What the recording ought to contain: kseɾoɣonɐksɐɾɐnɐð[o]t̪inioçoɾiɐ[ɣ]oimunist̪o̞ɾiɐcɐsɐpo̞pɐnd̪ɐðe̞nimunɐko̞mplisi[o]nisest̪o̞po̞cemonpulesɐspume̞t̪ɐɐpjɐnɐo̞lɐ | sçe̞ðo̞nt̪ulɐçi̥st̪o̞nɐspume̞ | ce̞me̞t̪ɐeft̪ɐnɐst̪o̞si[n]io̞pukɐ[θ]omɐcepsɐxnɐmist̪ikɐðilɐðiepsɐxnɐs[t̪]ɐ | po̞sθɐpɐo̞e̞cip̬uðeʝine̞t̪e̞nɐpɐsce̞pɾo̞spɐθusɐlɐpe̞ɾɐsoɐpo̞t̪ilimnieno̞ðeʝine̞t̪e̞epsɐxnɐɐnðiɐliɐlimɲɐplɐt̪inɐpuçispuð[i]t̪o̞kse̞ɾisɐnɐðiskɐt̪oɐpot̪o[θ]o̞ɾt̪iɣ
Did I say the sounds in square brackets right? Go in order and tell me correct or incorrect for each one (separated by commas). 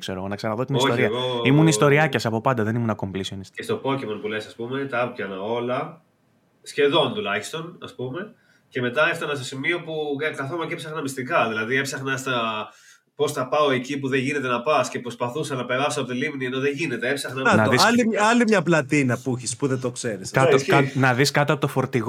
correct, correct, correct, incorrect, correct, correct, incorrect, incorrect